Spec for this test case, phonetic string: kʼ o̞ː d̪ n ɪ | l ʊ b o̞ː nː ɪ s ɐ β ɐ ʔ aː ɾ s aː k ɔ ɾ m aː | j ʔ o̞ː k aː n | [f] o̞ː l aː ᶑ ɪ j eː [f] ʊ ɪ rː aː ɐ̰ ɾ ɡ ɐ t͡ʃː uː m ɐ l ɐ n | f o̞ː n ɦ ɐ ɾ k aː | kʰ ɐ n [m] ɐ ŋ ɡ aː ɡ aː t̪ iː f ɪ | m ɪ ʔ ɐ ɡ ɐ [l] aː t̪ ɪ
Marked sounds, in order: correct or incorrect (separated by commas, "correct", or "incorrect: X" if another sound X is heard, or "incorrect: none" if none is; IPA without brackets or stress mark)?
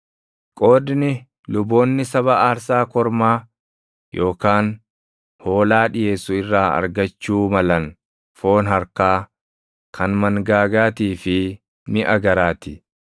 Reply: incorrect: h, incorrect: s, correct, incorrect: ɾ